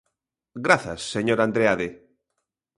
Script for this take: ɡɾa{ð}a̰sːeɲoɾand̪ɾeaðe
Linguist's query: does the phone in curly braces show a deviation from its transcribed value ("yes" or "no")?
yes